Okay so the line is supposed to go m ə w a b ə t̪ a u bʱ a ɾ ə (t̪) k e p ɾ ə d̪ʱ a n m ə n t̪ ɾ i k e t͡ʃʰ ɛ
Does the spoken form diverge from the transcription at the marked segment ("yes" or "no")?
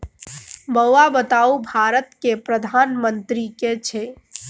no